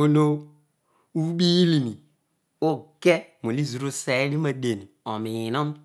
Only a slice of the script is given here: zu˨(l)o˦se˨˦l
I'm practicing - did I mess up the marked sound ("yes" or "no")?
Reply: yes